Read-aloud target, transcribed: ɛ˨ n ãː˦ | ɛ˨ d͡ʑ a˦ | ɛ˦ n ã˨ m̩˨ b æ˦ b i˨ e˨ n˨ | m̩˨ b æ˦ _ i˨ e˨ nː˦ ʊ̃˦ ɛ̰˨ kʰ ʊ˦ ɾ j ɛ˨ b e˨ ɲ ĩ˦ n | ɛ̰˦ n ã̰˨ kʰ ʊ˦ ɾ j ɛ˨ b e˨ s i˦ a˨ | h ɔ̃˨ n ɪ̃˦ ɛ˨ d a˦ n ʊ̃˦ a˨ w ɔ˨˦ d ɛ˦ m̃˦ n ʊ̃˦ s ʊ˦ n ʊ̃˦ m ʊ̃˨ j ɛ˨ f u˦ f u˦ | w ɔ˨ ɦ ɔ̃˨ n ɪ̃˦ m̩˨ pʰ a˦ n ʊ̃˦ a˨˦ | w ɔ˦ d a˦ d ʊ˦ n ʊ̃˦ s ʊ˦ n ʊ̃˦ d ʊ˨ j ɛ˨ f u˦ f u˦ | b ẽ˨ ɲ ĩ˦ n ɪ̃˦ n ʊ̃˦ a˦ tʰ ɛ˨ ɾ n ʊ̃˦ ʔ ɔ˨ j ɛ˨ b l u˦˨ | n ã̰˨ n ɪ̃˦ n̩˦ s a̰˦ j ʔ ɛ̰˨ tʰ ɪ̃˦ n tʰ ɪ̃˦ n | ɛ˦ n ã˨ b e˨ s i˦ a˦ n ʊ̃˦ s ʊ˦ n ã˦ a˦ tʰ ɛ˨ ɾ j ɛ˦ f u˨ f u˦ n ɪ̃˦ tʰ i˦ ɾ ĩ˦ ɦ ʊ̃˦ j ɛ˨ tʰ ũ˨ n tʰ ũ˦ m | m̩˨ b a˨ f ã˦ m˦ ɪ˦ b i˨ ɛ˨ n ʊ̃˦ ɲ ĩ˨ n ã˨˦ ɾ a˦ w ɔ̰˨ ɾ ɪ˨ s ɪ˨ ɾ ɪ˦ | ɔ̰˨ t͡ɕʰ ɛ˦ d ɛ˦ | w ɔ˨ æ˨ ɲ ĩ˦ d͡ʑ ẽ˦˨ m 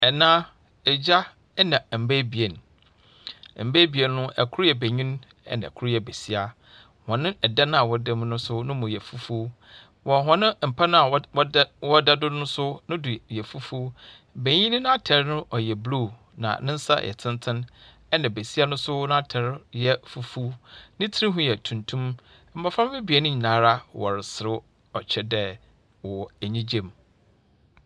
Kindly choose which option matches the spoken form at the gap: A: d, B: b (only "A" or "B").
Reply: B